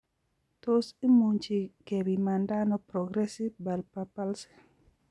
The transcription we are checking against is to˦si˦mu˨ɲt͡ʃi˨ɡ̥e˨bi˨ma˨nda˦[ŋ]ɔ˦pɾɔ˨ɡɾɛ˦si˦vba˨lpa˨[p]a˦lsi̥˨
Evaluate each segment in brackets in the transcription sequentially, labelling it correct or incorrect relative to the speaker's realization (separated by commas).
incorrect, correct